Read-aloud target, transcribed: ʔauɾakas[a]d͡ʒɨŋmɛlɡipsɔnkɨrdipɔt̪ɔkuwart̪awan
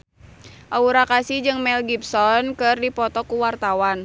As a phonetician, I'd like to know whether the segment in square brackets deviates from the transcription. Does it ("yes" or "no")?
yes